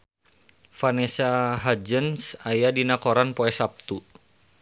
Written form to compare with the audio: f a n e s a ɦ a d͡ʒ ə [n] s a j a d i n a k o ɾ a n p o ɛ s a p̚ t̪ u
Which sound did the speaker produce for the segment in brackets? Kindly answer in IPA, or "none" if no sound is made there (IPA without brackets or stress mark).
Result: n